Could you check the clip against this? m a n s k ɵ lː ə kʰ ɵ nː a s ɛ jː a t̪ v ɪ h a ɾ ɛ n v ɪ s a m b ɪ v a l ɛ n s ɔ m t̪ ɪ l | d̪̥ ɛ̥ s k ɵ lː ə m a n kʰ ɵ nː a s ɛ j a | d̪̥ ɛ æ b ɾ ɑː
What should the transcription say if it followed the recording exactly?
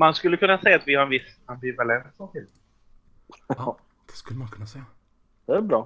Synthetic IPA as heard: m a n s k ɵ lː ə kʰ ɵ nː a s ɛ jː a t̪ v ɪ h a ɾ ɛ n v ɪ s a m b ɪ v a l ɛ n s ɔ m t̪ ɪ l | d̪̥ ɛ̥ s k ɵ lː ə m a n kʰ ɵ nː a s ɛ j a | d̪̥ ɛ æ b ɾ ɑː